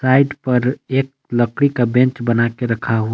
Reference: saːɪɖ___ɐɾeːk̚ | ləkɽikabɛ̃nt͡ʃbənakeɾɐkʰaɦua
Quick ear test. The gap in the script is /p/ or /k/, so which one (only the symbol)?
p